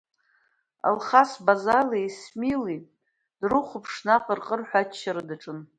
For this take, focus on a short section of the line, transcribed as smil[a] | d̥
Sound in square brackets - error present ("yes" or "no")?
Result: yes